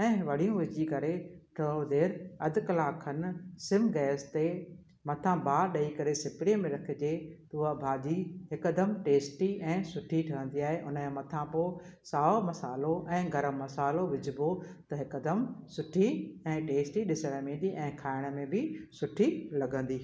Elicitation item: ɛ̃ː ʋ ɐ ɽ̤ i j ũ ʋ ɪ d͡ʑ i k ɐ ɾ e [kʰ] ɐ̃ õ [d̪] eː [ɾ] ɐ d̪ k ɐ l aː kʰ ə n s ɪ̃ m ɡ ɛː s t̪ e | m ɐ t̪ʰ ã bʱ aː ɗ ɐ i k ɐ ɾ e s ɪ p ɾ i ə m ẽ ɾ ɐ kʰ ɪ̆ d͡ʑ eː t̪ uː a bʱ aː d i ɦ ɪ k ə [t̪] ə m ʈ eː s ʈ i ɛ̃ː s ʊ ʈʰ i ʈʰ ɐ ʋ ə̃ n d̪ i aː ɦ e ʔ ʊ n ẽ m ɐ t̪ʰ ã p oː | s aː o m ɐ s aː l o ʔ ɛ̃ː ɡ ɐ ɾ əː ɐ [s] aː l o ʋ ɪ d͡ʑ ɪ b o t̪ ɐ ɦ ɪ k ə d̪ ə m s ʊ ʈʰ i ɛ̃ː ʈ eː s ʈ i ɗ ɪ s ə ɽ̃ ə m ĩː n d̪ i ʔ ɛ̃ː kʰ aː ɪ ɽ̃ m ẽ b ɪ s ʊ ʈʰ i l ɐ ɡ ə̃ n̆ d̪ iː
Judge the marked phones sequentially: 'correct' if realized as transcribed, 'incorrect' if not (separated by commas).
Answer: incorrect, correct, correct, incorrect, correct